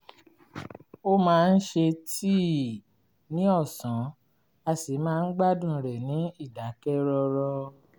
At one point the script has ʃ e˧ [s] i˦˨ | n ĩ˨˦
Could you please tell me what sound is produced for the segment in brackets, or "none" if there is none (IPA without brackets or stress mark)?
t